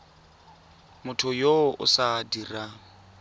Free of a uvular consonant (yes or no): yes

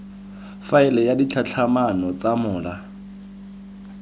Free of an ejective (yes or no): yes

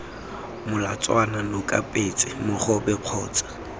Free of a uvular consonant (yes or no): no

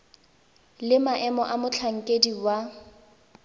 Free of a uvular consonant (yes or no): yes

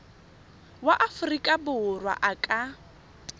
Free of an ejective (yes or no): no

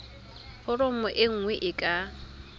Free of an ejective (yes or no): no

